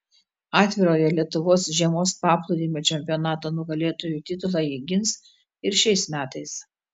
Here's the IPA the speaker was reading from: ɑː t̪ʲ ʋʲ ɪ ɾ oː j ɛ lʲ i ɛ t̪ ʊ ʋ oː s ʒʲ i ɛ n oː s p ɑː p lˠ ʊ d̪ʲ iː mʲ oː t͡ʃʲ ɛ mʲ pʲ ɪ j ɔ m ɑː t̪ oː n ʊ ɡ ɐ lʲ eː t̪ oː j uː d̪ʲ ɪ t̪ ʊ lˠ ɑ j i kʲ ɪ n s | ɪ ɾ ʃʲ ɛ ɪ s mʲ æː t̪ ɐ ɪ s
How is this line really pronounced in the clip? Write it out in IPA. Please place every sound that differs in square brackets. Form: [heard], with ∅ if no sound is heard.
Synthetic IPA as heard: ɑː t̪ʲ ʋʲ ɪ ɾ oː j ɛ lʲ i ɛ t̪ ʊ ʋ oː s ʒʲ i ɛ [m] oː s p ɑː p lˠ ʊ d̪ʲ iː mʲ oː t͡ʃʲ ɛ mʲ pʲ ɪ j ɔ [n] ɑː t̪ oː n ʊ ɡ ɐ lʲ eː t̪ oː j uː [t̪ʲ] ɪ t̪ ʊ lˠ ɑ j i [ɡʲ] ɪ n s | ɪ ɾ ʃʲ ɛ ɪ s mʲ æː t̪ ɐ ɪ s